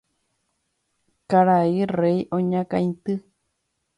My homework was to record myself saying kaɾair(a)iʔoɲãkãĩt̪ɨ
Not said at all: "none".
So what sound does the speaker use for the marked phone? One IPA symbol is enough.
e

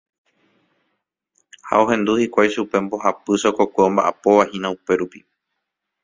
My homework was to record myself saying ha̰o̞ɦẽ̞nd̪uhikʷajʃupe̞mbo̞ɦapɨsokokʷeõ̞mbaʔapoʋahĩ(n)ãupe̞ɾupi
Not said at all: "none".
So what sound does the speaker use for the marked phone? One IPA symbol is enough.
n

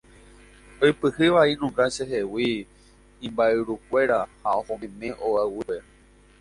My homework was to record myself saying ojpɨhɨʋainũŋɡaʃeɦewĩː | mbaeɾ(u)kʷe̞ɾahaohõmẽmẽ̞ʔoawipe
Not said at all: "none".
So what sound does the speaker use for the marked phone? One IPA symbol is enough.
u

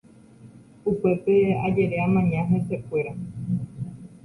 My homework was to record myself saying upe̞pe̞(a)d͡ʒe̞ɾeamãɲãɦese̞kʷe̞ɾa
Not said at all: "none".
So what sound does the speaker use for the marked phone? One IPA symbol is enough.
a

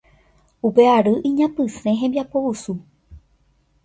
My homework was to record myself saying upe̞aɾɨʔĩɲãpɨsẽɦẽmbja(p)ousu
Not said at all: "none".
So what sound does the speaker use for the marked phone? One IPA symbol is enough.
p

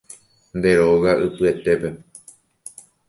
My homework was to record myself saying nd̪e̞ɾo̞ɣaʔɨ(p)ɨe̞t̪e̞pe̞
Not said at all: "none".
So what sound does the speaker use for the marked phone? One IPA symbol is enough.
p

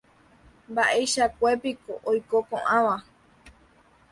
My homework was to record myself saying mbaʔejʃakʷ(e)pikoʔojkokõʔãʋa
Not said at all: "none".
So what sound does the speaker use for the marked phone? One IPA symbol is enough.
e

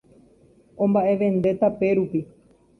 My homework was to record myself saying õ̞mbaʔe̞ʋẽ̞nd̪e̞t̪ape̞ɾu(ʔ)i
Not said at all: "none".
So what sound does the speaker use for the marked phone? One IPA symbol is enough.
p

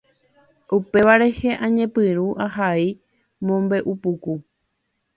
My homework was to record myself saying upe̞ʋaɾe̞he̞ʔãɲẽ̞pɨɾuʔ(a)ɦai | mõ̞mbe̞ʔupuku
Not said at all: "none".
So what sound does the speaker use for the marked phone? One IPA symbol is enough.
a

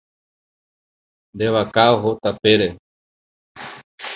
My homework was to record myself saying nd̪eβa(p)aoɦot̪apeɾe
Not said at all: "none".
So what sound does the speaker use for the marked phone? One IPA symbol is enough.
k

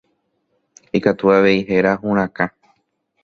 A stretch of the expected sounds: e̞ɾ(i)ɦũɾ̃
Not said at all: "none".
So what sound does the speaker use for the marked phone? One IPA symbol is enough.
a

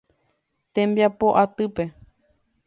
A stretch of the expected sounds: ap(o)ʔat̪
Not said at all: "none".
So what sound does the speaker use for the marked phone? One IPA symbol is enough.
o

